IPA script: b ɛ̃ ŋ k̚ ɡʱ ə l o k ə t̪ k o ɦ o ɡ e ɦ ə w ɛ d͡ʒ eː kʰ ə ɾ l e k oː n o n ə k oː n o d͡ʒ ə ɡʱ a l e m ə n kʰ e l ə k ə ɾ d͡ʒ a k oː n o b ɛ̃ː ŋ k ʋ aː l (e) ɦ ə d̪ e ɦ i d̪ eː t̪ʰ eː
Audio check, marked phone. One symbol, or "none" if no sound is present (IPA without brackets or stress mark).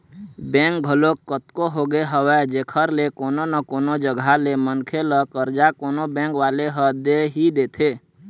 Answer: e